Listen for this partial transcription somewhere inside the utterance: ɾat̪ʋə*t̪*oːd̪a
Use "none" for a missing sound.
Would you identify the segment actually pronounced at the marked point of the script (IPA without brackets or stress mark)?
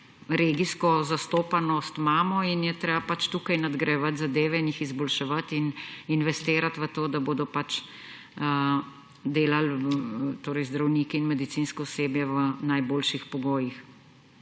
t̪